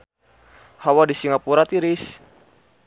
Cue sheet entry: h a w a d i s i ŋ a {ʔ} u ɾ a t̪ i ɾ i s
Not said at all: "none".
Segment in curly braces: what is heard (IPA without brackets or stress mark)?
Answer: p